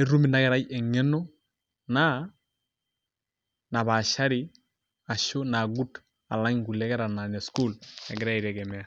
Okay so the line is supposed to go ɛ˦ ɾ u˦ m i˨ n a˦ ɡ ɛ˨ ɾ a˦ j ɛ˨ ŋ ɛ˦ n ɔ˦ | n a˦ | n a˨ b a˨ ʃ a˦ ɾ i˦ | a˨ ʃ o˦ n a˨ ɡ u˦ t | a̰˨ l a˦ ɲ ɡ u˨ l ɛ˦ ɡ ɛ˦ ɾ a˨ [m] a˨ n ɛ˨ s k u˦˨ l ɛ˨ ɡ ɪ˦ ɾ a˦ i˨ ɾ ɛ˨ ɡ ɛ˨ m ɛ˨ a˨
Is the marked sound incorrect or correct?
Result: incorrect